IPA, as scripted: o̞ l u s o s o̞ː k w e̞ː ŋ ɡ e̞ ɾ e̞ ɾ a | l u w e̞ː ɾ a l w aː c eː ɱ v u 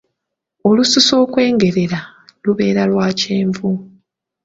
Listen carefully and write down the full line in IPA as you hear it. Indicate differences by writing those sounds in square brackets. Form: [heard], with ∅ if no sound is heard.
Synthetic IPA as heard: o̞ l u s [u] s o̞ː k w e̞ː ŋ ɡ e̞ ɾ e̞ ɾ a | l u [β] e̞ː ɾ a l w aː c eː ɱ v u